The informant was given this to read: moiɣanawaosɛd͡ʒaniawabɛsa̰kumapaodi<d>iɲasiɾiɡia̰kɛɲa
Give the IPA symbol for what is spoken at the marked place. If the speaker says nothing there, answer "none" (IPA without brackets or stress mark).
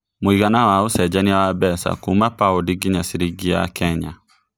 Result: ɡ